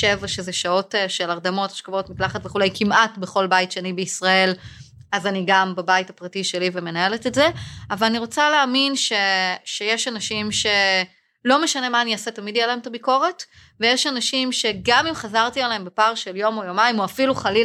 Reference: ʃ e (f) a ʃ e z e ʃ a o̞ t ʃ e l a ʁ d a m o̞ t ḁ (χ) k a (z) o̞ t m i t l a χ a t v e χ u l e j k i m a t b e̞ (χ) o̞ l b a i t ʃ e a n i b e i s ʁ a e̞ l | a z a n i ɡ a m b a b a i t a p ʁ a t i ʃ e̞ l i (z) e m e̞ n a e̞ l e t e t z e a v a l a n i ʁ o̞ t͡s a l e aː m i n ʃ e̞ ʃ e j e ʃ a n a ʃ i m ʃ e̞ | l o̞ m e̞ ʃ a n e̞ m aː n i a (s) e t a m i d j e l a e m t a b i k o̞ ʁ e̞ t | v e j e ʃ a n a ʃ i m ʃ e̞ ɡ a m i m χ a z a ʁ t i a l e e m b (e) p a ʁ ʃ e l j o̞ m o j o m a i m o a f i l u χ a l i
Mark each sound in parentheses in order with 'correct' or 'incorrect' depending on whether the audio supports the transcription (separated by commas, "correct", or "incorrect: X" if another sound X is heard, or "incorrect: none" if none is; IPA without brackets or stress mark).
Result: incorrect: v, incorrect: ʃ, incorrect: v, correct, incorrect: v, correct, correct